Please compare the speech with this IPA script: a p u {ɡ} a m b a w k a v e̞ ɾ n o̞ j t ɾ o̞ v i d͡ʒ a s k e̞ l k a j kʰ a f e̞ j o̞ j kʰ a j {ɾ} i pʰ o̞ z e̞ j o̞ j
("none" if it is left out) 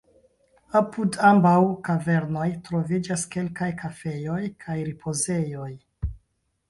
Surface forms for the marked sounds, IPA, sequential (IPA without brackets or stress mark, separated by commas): d, ɾ